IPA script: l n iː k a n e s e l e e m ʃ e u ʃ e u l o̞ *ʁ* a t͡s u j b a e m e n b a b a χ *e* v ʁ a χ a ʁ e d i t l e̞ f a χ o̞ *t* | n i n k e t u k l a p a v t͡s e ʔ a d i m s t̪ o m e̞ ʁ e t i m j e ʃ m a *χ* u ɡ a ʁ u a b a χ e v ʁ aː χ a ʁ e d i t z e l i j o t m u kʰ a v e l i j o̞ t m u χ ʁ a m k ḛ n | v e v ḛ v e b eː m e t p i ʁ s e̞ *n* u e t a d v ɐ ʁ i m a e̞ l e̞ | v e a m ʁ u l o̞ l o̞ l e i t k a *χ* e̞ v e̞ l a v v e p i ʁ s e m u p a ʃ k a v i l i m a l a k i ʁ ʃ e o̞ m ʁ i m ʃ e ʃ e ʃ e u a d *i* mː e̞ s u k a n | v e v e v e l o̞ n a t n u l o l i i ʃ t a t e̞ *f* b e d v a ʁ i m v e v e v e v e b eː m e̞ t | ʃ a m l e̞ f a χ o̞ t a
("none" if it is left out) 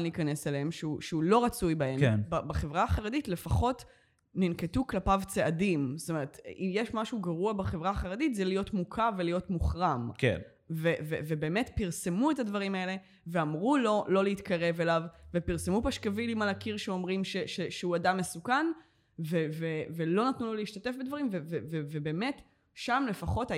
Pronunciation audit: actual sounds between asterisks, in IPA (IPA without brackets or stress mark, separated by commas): ʁ, e, t, ʃ, m, ʁ, a, f